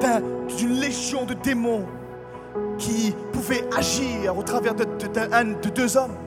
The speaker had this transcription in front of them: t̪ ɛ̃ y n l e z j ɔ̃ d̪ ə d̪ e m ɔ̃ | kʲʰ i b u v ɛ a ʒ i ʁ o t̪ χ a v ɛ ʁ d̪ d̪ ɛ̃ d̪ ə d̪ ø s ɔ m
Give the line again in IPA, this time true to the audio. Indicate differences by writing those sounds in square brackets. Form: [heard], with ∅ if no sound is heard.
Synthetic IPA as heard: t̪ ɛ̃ y n l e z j ɔ̃ d̪ ə d̪ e m ɔ̃ | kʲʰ i [p] u v ɛ a ʒ i ʁ o t̪ χ a v ɛ ʁ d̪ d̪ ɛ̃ d̪ ə d̪ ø [z] ɔ m